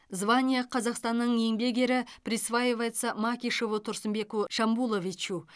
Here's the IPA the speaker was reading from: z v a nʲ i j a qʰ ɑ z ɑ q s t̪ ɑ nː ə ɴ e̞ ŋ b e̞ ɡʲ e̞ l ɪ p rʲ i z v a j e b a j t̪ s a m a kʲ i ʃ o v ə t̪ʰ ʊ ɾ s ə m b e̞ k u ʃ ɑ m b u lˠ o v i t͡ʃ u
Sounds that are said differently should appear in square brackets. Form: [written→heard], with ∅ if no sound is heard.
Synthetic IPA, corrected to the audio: z v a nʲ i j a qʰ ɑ z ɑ q s t̪ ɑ nː ə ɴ e̞ ŋ b e̞ ɡʲ e̞ [l→ɾ] ɪ p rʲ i [z→s] v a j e [b→v] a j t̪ s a m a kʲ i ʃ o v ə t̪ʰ ʊ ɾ s ə m b e̞ k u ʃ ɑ m b u lˠ o v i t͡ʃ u

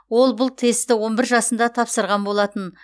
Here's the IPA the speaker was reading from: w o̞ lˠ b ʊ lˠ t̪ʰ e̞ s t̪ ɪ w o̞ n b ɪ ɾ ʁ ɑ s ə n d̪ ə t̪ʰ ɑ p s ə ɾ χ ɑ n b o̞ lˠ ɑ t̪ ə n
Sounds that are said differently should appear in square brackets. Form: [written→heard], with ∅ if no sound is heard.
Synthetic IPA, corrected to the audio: w o̞ lˠ b ʊ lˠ t̪ʰ e̞ s t̪ ɪ w o̞ n b ɪ ɾ [ʁ→ʒ] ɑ s ə n d̪ [ə→ɑ] t̪ʰ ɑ p s ə ɾ [χ→ʁ] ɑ n b o̞ lˠ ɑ t̪ ə n

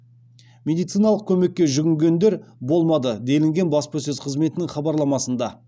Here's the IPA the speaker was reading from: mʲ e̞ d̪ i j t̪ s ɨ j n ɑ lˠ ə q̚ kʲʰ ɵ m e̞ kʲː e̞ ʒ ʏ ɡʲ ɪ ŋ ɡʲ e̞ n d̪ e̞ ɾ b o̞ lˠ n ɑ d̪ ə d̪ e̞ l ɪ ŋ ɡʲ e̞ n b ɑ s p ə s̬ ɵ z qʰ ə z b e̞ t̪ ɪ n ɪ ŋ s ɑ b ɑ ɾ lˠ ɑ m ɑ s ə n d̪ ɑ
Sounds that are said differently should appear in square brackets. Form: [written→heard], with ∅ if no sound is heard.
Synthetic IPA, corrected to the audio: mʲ e̞ d̪ i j t̪ s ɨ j n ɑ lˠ ə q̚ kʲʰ ɵ m e̞ kʲː e̞ ʒ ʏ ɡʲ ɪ ŋ ɡʲ e̞ n d̪ e̞ ɾ b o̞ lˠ [n→m] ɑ d̪ ə d̪ e̞ l ɪ ŋ ɡʲ e̞ n b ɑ s p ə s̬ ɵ z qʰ ə z [b→m] e̞ t̪ ɪ n ɪ ŋ [s→χ] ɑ b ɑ ɾ lˠ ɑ m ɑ s ə n d̪ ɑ

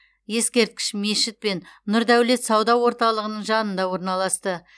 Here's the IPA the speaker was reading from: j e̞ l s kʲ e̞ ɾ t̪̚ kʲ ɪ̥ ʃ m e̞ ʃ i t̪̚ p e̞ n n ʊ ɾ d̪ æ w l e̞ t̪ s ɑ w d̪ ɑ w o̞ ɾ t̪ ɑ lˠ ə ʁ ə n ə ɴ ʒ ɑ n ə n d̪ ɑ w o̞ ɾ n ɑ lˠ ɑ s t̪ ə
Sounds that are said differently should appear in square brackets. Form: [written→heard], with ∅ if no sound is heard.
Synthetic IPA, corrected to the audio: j e̞ [l→∅] s kʲ e̞ ɾ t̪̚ kʲ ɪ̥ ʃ m e̞ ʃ [i→ɪ] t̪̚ p e̞ n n ʊ ɾ d̪ æ w l e̞ t̪ s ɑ w d̪ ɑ w o̞ ɾ t̪ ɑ lˠ ə ʁ ə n ə ɴ ʒ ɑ n ə n d̪ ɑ w o̞ ɾ n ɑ lˠ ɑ s t̪ ə

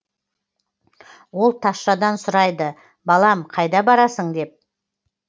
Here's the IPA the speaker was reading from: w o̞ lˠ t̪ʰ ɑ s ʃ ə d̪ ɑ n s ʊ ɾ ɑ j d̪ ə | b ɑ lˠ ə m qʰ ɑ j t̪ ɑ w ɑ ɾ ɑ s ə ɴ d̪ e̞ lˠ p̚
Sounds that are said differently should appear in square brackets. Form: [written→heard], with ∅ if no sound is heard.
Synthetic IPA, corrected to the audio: w o̞ lˠ t̪ʰ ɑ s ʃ [ə→ɑ] d̪ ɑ n s ʊ ɾ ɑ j d̪ ə | b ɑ lˠ [ə→ɑ] m qʰ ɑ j [t̪→d̪] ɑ [w→b] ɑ ɾ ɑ s ə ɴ d̪ e̞ [lˠ→∅] p̚

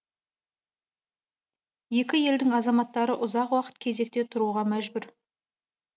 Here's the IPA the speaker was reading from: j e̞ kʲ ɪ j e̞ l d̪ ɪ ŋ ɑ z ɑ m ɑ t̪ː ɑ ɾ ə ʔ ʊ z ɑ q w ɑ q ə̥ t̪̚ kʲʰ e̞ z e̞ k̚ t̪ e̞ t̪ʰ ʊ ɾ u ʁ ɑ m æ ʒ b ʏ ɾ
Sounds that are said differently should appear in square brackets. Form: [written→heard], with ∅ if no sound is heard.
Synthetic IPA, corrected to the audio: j e̞ kʲ ɪ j e̞ l d̪ ɪ ŋ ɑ z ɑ m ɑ t̪ː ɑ ɾ ə ʔ ʊ z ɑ q w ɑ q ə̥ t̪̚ kʲʰ e̞ z e̞ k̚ t̪ e̞ t̪ʰ ʊ ɾ u ʁ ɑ m æ ʒ b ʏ ɾ

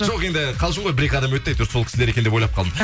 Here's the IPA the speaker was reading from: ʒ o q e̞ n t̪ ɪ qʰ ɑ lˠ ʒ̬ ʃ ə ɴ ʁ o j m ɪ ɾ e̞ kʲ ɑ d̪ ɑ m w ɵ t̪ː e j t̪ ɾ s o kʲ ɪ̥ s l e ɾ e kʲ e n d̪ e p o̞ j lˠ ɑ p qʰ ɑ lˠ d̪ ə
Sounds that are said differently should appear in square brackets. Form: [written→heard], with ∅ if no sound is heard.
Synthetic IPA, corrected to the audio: ʒ o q e̞ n [t̪→d̪] ɪ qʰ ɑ lˠ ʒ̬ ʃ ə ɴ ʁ o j [m→b] ɪ ɾ e̞ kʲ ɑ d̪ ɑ m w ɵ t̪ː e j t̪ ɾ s o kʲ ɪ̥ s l e ɾ e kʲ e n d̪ e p o̞ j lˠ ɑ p qʰ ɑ lˠ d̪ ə

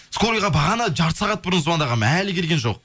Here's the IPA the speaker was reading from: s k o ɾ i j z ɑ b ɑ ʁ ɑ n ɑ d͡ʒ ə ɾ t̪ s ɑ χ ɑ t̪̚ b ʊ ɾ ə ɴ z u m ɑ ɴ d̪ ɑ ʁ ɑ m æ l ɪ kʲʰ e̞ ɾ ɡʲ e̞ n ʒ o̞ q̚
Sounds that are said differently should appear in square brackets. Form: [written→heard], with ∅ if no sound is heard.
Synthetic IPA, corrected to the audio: s k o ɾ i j [z→ʁ] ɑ b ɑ ʁ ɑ n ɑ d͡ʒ [ə→ɑ] ɾ t̪ s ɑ [χ→ʁ] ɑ t̪̚ b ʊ ɾ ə [ɴ→n] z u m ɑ [ɴ→n] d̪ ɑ ʁ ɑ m æ l ɪ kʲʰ e̞ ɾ ɡʲ e̞ n ʒ o̞ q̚

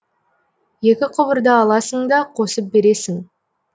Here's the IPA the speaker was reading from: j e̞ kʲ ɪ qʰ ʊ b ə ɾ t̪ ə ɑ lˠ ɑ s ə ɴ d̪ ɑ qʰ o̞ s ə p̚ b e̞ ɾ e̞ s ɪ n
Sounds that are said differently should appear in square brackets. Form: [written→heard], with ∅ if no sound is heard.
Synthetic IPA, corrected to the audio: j e̞ kʲ ɪ qʰ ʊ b ə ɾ [t̪→d̪] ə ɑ lˠ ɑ s ə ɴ d̪ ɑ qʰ o̞ s ə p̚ b e̞ ɾ e̞ s ɪ [n→ŋ]

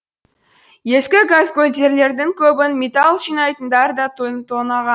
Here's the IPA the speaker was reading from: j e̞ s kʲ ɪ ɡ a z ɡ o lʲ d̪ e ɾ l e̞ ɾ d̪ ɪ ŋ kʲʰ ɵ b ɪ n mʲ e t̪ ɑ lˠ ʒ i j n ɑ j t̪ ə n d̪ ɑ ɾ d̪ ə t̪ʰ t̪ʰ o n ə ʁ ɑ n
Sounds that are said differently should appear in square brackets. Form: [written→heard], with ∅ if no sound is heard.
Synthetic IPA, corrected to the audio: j e̞ s kʲ ɪ ɡ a z ɡ o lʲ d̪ e ɾ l e̞ ɾ d̪ ɪ ŋ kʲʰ ɵ b ɪ n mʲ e t̪ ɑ lˠ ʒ i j n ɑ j t̪ ə n d̪ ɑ ɾ d̪ [ə→ɑ] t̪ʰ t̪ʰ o n [ə→ɑ] ʁ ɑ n

